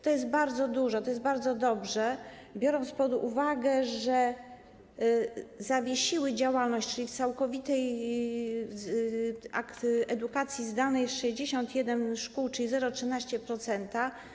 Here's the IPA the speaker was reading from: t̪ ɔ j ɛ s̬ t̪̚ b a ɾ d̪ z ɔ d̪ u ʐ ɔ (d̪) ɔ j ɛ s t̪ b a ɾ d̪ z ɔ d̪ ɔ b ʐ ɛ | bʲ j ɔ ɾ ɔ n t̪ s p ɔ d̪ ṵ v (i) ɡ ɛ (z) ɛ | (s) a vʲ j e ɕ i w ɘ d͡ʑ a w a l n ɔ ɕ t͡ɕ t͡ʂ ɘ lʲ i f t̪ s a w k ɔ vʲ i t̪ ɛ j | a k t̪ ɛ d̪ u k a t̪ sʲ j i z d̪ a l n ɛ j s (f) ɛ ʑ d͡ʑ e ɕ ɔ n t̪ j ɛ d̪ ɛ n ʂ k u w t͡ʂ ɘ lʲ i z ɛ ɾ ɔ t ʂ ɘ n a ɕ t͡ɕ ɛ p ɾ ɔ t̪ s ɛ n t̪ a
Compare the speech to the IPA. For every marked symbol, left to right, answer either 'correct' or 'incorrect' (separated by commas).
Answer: incorrect, incorrect, incorrect, incorrect, incorrect